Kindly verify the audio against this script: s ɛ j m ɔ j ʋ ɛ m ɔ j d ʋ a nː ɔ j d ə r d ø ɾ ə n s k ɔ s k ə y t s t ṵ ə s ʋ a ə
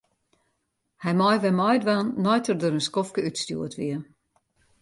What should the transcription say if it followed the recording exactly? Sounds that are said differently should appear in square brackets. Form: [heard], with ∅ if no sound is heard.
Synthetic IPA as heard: [h] ɛ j m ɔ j ʋ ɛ m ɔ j d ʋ a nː ɔ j [t] ə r d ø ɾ ə n s k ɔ [f] k ə y t s t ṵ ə [t] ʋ [i] ə